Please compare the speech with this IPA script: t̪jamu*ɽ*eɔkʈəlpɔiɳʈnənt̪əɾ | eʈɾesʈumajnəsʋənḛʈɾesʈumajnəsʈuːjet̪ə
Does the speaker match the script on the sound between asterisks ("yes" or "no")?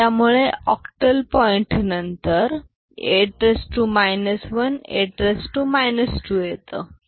no